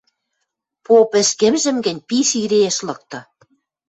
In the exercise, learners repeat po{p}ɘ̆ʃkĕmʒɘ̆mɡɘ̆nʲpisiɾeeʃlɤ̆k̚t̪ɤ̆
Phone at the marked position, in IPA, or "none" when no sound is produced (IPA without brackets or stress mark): p